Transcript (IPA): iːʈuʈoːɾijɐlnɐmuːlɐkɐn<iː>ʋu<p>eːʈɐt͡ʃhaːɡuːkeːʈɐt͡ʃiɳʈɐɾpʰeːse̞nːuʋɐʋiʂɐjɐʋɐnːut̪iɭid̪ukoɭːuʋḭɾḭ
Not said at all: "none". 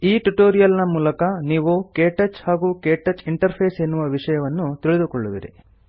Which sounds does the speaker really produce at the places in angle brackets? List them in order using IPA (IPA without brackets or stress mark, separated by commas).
iː, k